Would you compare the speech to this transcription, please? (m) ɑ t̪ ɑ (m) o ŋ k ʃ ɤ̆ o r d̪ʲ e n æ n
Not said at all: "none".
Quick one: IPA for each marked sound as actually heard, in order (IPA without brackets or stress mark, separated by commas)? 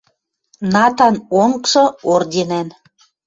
n, n